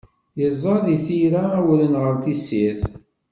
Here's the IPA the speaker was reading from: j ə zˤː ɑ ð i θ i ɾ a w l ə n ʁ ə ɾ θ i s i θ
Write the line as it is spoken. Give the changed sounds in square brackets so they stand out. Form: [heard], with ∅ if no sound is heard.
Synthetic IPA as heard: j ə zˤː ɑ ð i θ i ɾ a w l ə n ʁ ə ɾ θ i s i θ